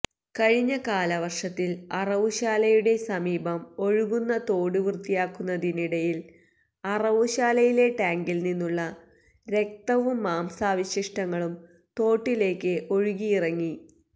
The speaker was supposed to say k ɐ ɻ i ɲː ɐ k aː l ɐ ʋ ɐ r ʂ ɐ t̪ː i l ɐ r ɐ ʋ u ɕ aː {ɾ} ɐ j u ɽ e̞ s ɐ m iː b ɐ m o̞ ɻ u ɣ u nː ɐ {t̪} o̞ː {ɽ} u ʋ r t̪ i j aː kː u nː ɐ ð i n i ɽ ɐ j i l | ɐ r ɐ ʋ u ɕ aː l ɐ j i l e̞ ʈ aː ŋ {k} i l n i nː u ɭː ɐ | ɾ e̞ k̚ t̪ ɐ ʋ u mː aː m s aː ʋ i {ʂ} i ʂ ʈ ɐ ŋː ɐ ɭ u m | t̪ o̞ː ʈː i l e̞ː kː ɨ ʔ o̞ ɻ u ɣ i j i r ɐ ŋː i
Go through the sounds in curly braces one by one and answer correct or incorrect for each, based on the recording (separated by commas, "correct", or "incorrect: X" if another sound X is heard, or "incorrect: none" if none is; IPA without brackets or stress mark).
incorrect: l, correct, correct, incorrect: ɡ, incorrect: ɕ